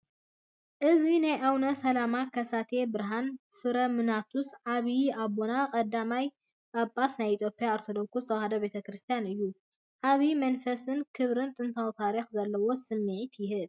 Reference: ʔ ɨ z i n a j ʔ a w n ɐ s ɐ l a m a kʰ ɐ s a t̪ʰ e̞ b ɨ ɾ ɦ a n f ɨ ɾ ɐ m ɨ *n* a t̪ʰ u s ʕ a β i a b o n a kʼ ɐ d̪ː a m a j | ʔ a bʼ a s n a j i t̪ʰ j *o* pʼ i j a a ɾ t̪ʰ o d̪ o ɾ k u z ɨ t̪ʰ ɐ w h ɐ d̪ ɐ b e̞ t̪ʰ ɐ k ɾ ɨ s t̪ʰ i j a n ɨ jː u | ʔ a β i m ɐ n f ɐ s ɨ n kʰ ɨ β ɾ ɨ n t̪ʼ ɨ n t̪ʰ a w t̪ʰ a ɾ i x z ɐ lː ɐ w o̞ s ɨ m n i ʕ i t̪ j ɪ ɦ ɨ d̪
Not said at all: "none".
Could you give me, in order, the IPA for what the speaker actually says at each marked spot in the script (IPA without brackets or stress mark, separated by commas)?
n, o